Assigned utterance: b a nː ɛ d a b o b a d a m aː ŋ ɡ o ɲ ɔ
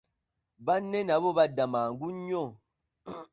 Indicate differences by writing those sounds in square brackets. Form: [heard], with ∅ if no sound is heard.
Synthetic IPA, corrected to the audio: b a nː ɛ [n] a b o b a d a m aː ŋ ɡ [u] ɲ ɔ